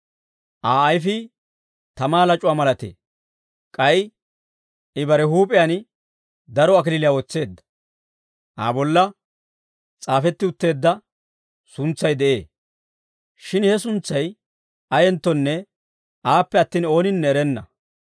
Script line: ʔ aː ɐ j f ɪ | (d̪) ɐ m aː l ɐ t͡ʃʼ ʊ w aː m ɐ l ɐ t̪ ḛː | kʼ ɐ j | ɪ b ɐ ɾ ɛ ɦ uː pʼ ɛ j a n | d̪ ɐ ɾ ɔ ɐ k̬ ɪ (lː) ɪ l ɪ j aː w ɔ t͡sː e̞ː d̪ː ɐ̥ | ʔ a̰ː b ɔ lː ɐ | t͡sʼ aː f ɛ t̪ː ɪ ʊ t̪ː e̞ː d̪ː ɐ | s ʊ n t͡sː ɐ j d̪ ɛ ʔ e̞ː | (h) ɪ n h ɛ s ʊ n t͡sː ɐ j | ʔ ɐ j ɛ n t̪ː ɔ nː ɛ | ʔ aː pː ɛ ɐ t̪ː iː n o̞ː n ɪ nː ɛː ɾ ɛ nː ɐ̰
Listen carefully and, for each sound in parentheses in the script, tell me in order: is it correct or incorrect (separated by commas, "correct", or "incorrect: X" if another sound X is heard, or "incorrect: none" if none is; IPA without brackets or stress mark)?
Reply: incorrect: t̪, incorrect: l, incorrect: ʃ